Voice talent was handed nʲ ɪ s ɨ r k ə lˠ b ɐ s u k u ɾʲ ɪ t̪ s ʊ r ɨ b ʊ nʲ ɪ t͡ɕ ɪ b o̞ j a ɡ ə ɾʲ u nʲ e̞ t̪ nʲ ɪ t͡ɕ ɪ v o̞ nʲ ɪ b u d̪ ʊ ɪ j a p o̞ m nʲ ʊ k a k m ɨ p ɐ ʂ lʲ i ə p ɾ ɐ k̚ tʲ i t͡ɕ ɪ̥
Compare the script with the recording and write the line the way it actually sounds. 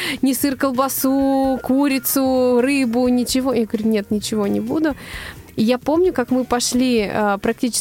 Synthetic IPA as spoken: nʲ ɪ s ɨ r k ə lˠ b ɐ s u k u ɾʲ ɪ t̪ s ʊ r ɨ b ʊ nʲ ɪ t͡ɕ ɪ v o̞ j a ɡ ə ɾʲ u nʲ e̞ t̪ nʲ ɪ t͡ɕ ɪ v o̞ nʲ ɪ b u d̪ ʊ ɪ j a p o̞ m nʲ ʊ k a k m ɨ p ɐ ʂ lʲ i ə p ɾ ɐ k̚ tʲ i t͡ɕ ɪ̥